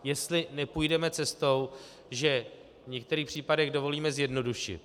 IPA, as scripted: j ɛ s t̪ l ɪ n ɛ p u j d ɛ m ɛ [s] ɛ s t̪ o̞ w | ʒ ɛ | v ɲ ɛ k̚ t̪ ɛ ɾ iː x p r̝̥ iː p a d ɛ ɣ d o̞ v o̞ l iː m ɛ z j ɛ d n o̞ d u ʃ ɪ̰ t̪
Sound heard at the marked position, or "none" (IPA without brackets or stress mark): t͡s